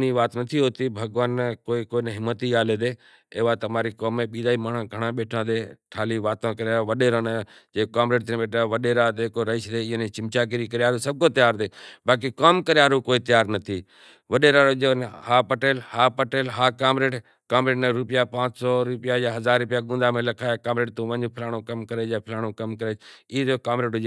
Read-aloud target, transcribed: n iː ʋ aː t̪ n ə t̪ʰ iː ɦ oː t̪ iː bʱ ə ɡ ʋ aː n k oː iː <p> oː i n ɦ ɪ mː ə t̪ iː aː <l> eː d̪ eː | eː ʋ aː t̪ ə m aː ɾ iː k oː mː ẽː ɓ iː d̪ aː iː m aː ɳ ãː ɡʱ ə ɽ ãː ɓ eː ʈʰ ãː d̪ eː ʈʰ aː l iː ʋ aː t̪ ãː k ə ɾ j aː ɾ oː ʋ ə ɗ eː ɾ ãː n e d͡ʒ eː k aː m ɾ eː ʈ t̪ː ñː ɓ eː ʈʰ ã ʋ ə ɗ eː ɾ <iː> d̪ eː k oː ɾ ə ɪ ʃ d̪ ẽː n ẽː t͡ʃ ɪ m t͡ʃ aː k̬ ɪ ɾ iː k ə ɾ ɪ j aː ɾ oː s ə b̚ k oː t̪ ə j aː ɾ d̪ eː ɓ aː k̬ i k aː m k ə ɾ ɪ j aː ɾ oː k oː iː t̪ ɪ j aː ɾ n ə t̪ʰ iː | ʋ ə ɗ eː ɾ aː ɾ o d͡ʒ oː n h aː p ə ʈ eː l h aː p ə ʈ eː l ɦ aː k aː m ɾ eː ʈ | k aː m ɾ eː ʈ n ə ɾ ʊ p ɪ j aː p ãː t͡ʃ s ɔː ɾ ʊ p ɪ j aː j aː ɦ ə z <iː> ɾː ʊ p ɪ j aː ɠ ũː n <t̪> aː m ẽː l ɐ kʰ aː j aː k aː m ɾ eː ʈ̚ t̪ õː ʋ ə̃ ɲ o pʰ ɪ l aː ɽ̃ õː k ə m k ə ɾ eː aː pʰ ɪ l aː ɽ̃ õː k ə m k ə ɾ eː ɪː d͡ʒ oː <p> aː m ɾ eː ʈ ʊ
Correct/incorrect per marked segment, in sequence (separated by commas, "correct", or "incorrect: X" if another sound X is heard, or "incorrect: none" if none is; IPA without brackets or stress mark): incorrect: k, correct, incorrect: aː, incorrect: aː, incorrect: d̪, incorrect: k